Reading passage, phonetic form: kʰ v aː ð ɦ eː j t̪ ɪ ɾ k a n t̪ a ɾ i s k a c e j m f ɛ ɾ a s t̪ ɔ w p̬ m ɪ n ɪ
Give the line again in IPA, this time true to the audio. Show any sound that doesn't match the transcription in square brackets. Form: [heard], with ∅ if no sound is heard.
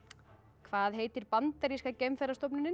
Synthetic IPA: kʰ v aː ð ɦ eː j t̪ ɪ ɾ [p] a n t̪ a ɾ i s k a c e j m f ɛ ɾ a s t̪ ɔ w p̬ [n] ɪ n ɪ